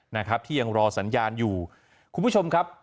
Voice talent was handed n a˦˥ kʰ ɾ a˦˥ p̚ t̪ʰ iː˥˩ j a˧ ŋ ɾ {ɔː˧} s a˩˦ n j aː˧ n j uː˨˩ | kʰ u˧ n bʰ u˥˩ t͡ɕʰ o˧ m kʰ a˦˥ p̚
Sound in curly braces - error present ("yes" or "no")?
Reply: no